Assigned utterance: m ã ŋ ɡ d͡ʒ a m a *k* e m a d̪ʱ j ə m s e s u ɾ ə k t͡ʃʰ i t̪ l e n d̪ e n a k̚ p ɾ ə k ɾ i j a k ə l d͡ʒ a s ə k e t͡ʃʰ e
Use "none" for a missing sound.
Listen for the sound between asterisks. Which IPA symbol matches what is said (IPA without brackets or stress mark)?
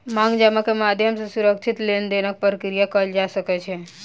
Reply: k